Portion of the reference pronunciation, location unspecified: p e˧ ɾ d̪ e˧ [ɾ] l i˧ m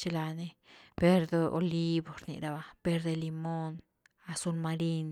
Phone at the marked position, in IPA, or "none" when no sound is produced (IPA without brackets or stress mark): none